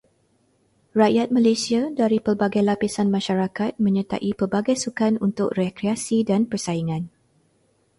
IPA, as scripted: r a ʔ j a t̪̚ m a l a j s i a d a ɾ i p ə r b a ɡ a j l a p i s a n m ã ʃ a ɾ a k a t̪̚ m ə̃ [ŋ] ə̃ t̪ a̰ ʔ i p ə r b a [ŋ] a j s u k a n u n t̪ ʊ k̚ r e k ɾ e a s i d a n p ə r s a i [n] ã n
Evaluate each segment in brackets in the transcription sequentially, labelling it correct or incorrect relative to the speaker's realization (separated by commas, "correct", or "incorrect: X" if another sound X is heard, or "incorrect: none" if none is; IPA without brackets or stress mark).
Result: incorrect: ɲ, incorrect: ɡ, incorrect: ŋ